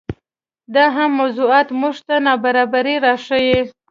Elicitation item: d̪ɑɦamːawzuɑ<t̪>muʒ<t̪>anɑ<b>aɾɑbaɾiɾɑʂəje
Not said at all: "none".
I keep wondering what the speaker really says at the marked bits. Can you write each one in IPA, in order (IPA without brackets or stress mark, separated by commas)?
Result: t̪, t̪, b